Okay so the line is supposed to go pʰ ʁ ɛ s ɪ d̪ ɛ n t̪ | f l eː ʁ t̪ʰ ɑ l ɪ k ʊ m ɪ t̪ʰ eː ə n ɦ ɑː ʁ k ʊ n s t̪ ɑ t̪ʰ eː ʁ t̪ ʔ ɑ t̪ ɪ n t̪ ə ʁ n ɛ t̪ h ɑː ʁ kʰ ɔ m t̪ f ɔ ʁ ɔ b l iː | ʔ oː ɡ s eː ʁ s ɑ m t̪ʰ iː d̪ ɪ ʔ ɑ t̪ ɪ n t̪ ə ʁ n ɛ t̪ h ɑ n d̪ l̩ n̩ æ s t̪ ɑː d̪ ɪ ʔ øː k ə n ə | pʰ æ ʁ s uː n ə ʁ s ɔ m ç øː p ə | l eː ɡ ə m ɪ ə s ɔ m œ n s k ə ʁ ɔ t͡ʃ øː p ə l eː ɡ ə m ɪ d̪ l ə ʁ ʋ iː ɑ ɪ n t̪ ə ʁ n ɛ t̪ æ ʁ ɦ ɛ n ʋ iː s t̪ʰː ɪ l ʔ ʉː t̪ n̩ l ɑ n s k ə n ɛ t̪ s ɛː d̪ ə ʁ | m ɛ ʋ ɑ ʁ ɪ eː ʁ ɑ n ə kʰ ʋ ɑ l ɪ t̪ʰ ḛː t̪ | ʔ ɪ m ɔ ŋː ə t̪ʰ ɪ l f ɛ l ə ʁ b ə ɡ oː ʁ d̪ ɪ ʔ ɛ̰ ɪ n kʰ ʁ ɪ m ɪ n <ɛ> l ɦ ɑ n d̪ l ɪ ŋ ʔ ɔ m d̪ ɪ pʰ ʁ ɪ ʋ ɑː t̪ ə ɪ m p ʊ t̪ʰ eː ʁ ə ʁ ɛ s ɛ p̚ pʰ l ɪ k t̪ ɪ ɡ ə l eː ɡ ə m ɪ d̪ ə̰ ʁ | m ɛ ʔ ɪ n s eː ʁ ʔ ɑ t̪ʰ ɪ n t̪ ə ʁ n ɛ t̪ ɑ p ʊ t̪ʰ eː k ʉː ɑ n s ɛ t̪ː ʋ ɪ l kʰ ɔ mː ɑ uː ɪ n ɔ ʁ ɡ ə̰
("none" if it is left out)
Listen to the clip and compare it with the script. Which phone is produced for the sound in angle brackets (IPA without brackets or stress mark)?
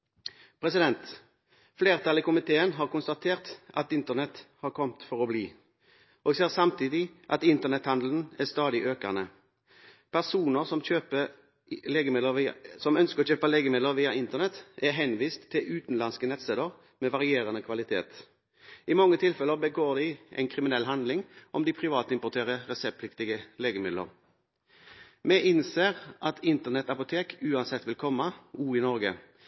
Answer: ɛ